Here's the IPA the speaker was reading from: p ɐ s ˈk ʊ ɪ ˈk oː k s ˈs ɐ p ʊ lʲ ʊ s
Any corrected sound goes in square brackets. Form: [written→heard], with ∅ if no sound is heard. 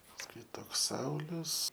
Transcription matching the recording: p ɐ s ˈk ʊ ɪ [ˈk→ˈt] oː k s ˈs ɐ [p→∅] ʊ lʲ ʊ s